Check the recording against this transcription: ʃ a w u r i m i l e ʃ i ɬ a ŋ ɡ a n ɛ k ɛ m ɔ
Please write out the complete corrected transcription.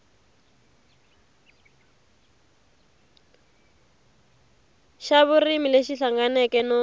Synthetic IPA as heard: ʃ a β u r i m i l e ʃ i ɬ a ŋ ɡ a n ɛ k ɛ n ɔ